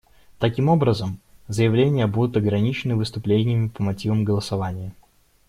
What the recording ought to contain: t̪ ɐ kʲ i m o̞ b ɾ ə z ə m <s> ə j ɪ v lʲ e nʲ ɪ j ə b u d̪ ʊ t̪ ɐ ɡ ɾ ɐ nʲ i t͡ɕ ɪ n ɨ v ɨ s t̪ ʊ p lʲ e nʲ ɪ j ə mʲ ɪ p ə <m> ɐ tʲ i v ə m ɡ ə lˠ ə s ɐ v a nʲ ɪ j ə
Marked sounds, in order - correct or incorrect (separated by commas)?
incorrect, correct